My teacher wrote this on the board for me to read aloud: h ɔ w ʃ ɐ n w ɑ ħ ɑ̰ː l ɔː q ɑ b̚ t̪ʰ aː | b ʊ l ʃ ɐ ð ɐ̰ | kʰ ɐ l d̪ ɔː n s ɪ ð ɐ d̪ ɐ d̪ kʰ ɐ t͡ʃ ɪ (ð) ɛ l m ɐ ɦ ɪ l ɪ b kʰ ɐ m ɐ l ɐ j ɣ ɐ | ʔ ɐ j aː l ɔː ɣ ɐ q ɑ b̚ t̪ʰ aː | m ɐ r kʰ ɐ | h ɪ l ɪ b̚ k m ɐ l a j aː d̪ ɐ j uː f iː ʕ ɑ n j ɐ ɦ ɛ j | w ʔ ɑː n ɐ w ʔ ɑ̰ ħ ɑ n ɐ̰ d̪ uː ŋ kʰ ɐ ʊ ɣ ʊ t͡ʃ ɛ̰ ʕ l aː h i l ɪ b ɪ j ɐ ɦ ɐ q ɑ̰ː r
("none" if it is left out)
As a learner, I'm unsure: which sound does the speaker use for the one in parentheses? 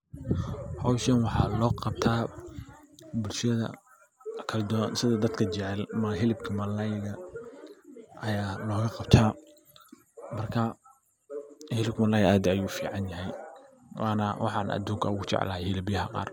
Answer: ʕ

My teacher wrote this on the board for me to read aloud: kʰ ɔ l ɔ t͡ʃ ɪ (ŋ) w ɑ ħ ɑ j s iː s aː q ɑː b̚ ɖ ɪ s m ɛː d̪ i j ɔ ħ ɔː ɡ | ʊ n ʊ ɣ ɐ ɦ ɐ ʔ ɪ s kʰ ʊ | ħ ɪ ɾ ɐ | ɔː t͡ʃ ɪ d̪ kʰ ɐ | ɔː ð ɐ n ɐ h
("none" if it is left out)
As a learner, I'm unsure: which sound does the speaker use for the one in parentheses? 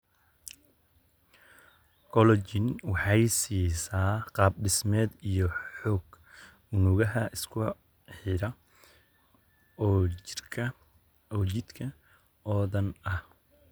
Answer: n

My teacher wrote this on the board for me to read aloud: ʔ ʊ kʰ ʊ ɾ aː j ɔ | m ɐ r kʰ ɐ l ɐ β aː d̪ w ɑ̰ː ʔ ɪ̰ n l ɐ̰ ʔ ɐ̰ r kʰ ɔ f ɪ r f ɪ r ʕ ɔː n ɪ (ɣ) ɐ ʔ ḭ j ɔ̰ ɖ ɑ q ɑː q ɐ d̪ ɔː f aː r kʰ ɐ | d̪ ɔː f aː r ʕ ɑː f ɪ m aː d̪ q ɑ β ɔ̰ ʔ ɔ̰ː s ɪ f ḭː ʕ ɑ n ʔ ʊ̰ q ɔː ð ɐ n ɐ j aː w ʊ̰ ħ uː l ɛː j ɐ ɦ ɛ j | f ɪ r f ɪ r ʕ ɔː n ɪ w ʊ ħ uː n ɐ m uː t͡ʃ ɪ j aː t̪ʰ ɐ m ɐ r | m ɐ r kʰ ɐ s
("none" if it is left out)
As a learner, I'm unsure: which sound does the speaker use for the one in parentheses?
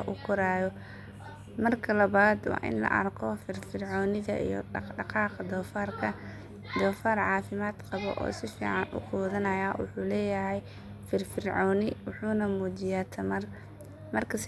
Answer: ð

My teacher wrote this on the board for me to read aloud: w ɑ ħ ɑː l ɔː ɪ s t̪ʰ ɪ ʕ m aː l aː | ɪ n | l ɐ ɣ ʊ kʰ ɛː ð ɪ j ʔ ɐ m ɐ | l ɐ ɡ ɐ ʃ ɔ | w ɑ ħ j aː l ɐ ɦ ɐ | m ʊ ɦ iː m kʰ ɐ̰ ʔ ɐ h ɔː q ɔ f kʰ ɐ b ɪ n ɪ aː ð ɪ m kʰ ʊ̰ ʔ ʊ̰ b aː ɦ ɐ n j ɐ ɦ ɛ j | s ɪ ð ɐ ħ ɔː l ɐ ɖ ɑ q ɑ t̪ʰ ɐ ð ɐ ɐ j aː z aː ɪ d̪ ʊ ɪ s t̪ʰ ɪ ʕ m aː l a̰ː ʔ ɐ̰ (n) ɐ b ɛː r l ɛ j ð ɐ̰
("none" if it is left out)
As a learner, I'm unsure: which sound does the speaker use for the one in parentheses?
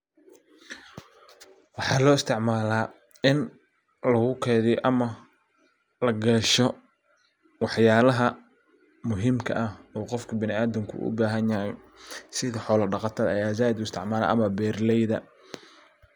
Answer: m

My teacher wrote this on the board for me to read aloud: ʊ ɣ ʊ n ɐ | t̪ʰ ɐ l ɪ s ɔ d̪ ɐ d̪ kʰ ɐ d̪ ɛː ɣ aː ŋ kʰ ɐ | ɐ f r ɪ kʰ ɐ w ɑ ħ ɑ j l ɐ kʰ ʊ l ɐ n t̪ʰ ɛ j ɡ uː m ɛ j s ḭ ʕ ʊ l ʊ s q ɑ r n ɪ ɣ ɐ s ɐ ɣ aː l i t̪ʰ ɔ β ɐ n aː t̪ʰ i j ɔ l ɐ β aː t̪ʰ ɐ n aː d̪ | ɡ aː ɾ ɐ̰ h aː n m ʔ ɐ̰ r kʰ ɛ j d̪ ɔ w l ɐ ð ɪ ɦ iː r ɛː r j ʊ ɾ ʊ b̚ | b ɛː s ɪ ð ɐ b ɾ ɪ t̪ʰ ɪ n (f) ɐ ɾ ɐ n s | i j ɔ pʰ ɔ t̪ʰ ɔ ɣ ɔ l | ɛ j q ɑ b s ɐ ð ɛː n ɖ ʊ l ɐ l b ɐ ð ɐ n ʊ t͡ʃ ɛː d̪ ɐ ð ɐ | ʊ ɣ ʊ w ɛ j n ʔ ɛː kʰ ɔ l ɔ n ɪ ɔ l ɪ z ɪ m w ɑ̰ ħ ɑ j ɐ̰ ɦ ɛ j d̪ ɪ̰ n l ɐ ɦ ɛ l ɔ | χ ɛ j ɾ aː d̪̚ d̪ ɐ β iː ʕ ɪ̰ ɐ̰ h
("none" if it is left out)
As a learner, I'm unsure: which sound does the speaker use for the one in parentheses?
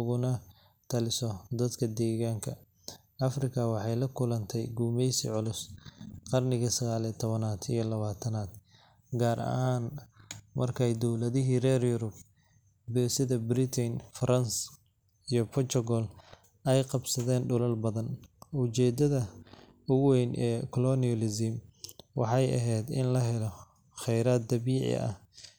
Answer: f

